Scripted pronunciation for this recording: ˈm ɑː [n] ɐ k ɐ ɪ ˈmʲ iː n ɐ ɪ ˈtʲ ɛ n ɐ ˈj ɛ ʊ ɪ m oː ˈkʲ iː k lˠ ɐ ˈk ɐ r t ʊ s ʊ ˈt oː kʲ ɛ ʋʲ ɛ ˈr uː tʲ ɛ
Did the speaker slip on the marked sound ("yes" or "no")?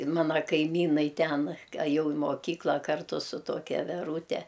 no